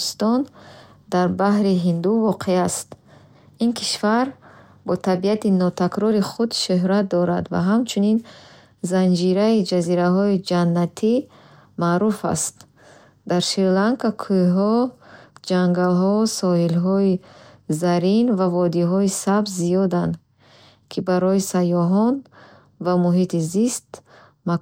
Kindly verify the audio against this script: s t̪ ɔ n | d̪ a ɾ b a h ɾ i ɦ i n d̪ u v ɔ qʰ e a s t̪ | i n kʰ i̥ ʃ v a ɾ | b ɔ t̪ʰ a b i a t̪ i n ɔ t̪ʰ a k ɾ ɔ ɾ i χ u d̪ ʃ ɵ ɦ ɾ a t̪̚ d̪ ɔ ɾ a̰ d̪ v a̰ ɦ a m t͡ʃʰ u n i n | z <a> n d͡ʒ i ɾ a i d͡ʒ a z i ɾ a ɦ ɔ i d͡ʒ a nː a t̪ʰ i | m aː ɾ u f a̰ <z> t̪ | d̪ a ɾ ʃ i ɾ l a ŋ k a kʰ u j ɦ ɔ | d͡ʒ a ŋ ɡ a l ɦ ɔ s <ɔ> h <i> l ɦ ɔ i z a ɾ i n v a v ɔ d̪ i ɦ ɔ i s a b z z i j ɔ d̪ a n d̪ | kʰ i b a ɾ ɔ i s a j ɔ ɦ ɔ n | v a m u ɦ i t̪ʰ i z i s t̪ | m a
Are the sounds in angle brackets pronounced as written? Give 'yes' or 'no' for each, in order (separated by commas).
yes, no, yes, yes